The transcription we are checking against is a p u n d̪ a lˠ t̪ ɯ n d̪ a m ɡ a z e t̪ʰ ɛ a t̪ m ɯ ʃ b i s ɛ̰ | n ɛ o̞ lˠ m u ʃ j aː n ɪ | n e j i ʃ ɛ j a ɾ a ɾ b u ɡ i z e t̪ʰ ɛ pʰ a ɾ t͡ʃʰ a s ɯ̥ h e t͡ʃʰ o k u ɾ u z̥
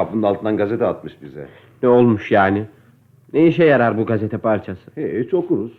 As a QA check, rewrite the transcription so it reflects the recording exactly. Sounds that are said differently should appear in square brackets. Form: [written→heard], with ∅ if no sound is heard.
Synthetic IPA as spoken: a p [u→ɯ] n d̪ a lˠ t̪ ɯ n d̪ a [m→n] ɡ a z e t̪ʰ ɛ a t̪ m ɯ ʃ b i [s→z] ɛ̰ | n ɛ o̞ lˠ m u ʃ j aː n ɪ | n e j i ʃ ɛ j a ɾ a ɾ b u ɡ [i→a] z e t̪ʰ ɛ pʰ a ɾ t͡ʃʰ a s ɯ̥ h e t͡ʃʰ o k u ɾ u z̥